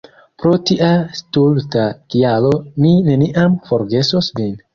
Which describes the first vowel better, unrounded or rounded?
rounded